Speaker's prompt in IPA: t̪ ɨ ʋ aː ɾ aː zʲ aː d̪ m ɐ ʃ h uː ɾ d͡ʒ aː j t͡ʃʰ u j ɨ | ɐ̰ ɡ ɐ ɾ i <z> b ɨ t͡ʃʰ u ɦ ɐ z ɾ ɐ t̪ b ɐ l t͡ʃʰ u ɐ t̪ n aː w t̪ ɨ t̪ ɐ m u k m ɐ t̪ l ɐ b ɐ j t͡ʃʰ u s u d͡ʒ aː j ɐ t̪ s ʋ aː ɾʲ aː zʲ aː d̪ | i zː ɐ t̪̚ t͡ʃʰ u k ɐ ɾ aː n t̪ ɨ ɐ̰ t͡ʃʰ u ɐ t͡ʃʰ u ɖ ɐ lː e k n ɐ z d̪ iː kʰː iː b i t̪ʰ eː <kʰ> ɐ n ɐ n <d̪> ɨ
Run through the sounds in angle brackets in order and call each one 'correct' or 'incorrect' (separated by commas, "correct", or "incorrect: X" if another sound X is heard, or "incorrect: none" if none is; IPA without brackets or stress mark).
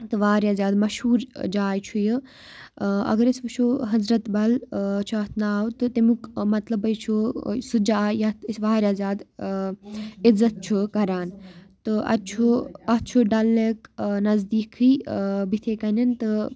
incorrect: s, incorrect: k, incorrect: t̪